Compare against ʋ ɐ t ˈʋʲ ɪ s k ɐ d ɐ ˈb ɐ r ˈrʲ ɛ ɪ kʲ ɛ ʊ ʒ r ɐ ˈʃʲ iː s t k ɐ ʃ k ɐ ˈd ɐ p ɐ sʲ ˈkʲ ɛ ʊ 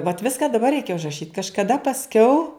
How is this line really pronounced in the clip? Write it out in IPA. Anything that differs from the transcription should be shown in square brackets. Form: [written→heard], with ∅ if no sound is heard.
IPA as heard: ʋ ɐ t ˈʋʲ ɪ s k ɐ d ɐ ˈb ɐ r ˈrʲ ɛ ɪ kʲ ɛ ʊ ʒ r ɐ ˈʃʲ iː [s→∅] t k ɐ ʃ k ɐ ˈd ɐ p ɐ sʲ ˈkʲ ɛ ʊ